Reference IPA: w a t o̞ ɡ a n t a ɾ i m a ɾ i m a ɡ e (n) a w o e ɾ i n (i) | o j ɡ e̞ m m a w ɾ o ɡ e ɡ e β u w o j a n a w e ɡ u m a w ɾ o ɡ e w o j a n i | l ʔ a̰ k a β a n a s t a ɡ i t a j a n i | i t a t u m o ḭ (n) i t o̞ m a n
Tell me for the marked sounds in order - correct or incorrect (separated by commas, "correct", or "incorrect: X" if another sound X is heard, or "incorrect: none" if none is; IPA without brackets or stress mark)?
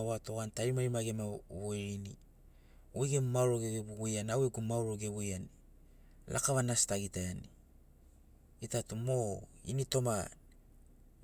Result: incorrect: m, correct, correct